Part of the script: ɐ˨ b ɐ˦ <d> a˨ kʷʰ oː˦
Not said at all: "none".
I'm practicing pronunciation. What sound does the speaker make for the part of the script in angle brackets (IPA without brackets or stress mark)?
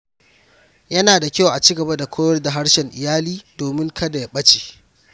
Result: d